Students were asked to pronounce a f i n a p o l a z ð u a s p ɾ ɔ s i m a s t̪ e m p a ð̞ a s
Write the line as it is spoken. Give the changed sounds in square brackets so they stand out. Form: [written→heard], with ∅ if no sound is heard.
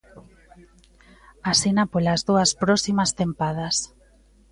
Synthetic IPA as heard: a [f→s] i n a p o l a z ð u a s p ɾ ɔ s i m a s t̪ e m p a ð̞ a s